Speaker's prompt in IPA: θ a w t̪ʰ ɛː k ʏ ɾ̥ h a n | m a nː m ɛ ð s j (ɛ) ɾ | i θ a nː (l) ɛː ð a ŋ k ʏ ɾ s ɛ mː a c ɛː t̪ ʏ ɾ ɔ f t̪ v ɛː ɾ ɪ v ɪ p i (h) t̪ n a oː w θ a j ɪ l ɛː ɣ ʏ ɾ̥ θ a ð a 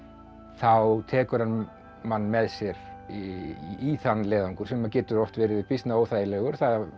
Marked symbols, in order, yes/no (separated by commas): yes, yes, no